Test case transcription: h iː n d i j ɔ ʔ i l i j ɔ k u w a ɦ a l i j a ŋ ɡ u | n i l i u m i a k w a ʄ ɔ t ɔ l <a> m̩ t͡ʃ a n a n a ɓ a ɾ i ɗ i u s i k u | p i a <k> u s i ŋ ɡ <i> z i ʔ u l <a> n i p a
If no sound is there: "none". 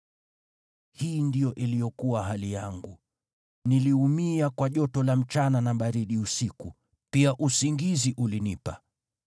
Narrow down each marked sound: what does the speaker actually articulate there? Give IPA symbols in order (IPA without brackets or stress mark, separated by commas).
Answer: a, ʔ, i, i